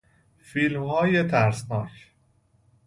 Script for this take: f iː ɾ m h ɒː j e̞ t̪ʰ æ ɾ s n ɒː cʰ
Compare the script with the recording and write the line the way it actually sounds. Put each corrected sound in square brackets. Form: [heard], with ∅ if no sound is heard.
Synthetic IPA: f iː [l] m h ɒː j e̞ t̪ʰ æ ɾ s n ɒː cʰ